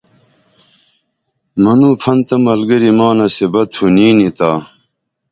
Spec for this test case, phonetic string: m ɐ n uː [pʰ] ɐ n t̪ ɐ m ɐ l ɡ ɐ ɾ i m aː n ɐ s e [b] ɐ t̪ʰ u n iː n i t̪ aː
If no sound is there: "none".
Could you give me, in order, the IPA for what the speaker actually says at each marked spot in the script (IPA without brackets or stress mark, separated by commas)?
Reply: pʰ, b